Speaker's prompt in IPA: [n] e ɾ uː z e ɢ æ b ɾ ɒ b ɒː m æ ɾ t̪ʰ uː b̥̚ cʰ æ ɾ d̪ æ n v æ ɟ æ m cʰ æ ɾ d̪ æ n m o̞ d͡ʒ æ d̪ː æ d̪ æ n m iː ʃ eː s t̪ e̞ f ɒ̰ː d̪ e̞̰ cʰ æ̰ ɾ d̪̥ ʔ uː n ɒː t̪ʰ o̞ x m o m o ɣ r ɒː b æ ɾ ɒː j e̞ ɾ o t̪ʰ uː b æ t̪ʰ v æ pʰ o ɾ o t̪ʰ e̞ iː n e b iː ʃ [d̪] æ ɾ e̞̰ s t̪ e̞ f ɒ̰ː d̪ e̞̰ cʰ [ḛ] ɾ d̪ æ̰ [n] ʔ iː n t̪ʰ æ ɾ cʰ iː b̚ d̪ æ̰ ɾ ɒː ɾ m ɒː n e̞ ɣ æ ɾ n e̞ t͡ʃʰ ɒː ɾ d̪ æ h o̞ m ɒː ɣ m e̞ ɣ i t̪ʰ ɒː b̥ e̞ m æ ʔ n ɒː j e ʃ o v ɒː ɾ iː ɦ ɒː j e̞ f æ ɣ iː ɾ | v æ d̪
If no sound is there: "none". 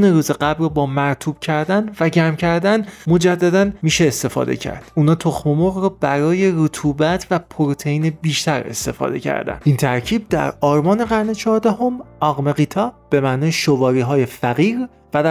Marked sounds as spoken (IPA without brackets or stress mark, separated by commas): n, t̪, æ̰, n